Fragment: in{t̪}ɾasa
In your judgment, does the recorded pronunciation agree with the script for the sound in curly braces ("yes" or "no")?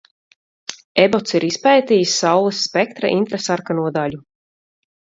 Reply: yes